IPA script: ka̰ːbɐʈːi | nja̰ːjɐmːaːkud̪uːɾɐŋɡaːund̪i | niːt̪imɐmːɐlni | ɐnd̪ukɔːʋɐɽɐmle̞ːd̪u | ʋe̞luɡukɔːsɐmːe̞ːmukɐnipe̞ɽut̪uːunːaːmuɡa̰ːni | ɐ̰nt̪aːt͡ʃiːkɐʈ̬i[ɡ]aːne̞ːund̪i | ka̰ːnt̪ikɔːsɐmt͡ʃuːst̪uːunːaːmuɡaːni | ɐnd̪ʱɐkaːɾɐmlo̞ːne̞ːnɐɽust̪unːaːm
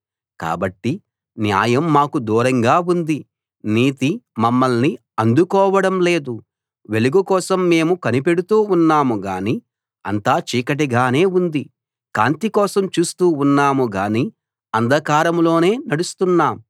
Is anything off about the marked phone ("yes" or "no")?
no